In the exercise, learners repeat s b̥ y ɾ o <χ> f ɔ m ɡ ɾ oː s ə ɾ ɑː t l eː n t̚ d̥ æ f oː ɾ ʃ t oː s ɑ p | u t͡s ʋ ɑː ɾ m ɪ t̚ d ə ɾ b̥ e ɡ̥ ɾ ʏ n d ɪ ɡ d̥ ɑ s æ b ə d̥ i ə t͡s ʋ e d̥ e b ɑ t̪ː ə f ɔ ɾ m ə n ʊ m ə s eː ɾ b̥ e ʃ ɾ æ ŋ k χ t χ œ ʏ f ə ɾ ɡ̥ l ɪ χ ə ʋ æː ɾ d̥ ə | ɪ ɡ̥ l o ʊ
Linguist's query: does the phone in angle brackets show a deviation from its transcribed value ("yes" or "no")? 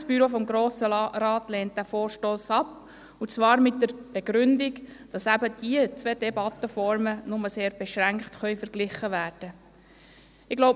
yes